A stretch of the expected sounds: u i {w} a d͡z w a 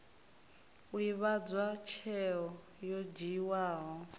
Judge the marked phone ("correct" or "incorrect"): incorrect